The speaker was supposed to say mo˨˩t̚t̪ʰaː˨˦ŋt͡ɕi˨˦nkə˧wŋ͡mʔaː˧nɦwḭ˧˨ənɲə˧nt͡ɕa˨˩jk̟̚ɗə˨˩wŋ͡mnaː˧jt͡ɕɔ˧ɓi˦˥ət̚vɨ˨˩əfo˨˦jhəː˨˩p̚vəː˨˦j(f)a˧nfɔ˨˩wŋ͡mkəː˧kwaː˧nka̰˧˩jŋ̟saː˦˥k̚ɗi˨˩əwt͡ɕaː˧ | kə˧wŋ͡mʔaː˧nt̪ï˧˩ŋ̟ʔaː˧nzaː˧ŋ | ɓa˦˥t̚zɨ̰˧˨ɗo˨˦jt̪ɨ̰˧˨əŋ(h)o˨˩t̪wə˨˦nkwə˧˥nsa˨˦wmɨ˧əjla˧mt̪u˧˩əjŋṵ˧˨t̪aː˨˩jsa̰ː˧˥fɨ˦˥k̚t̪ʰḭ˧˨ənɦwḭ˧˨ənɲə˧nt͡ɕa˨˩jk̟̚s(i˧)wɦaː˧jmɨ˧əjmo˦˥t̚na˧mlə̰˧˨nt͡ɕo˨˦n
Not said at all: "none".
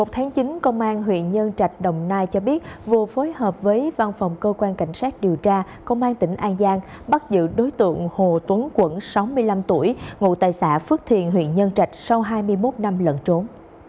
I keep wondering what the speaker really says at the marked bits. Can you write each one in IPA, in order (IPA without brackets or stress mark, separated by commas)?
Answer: v, h, a˧